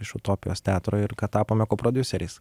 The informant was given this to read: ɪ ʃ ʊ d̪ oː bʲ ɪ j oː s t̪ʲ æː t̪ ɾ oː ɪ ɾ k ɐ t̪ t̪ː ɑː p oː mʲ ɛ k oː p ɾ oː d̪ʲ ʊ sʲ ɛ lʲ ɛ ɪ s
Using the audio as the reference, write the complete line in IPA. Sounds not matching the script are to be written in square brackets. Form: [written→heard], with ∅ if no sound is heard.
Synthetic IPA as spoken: ɪ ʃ ʊ [d̪→t̪] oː [bʲ→pʲ] ɪ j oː s t̪ʲ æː t̪ ɾ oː ɪ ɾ k ɐ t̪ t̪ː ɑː p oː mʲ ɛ k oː p ɾ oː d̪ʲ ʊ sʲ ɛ [lʲ→ɾʲ] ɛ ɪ s